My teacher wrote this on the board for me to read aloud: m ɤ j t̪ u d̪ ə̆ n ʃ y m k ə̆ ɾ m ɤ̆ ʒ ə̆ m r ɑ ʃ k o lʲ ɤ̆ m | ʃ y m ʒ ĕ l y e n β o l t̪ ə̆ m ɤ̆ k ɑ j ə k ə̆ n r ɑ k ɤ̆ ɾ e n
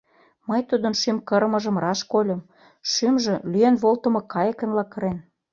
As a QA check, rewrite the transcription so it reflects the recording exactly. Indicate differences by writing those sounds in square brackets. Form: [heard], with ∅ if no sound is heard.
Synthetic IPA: m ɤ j t̪ u d̪ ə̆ n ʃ y m k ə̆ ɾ m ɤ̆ ʒ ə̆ m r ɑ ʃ k o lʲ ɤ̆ m | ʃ y m ʒ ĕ l y e n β o l t̪ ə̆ m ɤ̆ k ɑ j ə k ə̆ n [l] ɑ k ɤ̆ ɾ e n